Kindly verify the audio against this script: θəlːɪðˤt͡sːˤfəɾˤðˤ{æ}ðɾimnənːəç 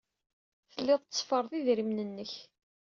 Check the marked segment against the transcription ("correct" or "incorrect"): incorrect